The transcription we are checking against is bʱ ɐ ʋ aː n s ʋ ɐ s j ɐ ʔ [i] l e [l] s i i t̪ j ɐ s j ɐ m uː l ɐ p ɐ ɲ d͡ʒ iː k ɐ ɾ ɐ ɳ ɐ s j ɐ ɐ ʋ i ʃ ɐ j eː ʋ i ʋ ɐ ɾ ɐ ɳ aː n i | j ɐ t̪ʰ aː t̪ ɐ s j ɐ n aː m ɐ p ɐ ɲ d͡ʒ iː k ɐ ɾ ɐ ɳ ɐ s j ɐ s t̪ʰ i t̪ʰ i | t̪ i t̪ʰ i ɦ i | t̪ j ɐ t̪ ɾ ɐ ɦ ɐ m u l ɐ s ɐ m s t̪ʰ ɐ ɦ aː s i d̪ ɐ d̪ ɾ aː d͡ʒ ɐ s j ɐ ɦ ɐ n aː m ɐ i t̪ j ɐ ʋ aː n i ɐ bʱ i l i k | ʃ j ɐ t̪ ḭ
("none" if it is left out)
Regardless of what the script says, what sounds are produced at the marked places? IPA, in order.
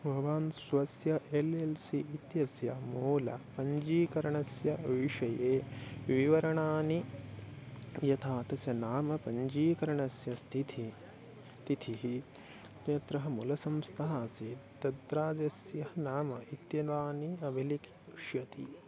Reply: e, l

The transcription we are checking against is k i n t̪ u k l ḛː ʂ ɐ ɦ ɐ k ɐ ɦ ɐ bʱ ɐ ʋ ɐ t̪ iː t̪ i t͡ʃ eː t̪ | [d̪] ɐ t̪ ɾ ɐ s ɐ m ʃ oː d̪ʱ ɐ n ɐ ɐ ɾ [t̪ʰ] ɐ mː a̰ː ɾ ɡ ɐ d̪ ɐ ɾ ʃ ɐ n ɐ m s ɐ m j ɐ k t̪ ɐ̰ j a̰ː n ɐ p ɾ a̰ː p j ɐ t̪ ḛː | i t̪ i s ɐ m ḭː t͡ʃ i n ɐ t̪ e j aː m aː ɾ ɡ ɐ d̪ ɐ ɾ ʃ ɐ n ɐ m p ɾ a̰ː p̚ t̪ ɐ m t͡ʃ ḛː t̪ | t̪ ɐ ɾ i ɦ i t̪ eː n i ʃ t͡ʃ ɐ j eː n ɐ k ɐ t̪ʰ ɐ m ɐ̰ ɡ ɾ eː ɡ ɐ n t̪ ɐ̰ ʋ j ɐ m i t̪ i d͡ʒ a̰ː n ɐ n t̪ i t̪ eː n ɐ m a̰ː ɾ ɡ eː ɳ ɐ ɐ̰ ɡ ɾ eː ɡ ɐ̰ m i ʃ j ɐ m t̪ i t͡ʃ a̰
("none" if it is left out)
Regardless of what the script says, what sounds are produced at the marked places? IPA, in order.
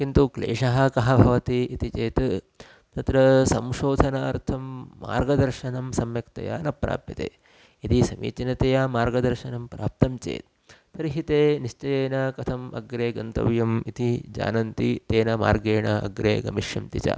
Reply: t̪, t̪ʰ

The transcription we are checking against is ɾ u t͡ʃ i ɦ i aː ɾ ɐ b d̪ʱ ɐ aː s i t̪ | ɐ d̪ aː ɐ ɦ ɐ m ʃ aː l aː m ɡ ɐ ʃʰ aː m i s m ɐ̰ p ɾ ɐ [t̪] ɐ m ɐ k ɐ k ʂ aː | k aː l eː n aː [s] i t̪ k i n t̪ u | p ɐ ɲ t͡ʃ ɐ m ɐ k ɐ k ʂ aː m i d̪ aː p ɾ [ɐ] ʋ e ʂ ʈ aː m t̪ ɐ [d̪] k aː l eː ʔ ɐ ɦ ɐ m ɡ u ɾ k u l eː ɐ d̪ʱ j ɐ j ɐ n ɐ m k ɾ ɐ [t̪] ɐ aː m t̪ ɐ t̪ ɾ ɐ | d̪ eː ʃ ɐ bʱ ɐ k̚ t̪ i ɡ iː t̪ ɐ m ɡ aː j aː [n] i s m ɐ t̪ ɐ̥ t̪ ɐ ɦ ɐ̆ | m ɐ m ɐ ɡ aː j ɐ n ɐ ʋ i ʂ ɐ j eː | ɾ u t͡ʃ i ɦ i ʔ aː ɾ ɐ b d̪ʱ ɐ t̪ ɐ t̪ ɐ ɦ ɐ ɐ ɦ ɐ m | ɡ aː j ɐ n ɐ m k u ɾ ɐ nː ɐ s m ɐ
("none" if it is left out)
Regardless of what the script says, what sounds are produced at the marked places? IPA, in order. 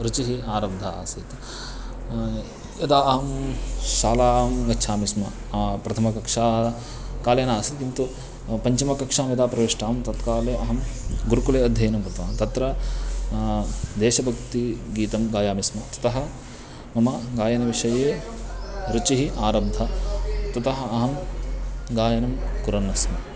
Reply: t̪ʰ, s, ɐ, t̪, t̪, m

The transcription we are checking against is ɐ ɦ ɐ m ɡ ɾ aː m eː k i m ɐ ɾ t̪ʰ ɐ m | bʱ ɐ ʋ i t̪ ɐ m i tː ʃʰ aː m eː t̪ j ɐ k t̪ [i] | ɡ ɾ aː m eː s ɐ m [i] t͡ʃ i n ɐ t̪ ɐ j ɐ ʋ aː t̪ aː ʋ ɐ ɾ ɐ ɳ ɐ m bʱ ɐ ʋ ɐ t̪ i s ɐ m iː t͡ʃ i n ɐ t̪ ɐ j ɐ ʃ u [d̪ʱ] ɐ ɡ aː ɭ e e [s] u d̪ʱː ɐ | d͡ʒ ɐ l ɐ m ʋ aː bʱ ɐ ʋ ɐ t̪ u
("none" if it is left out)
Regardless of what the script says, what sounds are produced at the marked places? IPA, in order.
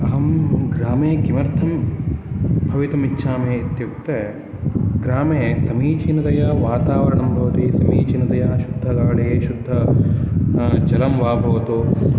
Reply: e, iː, d̪ʱː, ʃ

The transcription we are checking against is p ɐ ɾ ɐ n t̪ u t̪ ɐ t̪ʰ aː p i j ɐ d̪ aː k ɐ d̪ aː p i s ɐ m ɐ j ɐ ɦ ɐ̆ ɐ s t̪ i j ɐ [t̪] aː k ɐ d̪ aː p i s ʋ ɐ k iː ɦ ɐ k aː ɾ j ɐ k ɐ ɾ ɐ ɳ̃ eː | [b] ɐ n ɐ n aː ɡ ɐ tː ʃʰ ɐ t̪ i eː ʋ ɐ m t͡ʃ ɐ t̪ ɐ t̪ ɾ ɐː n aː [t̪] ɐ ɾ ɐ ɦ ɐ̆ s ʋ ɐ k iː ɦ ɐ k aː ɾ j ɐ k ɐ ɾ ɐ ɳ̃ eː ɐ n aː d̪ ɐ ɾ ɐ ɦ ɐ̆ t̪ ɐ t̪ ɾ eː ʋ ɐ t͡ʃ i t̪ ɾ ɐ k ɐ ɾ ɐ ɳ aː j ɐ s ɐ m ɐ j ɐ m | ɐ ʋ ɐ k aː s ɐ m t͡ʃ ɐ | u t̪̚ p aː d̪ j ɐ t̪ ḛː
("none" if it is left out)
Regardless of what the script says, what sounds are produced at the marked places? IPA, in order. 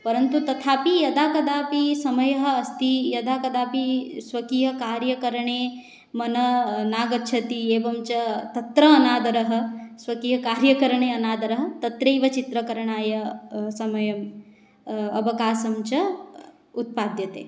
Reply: d̪, m, d̪

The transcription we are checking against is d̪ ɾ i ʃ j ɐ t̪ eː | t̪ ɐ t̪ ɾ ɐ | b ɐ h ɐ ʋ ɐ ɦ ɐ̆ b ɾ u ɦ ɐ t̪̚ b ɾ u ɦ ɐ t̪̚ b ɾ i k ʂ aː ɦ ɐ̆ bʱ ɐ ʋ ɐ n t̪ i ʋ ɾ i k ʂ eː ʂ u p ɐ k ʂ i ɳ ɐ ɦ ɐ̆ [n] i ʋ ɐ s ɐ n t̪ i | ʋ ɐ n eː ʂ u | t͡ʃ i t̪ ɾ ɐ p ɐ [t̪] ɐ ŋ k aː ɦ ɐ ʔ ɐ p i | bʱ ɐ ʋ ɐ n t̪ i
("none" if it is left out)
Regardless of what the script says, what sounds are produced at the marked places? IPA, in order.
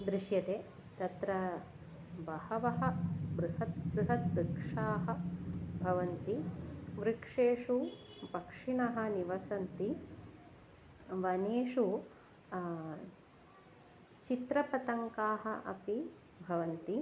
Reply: n, t̪

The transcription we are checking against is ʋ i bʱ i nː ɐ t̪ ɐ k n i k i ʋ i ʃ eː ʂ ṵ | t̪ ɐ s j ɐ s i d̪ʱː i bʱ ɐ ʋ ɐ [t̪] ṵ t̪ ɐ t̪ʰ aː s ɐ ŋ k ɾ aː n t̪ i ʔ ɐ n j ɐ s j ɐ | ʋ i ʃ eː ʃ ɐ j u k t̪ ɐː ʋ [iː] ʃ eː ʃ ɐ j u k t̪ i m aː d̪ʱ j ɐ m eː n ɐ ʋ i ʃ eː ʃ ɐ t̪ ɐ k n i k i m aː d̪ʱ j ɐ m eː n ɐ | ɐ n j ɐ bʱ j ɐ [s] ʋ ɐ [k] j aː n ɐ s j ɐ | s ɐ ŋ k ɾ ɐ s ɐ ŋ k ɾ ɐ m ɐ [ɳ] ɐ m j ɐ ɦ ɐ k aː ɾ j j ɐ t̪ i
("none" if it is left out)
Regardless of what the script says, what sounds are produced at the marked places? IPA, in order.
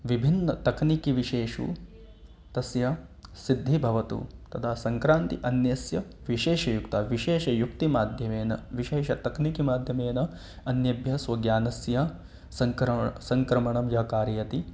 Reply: t̪, i, s, ɡ, ɳ

